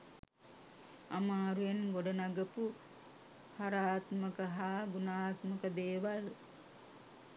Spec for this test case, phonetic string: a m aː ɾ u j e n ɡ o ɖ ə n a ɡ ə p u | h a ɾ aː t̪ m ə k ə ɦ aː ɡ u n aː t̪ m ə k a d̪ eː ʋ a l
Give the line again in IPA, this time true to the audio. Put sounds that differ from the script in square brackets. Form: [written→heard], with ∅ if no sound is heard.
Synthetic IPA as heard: a m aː ɾ u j e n ɡ o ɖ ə n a ɡ ə p u | h a ɾ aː t̪ m ə k ə ɦ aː ɡ u n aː t̪ m ə k [a→ə] d̪ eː ʋ a l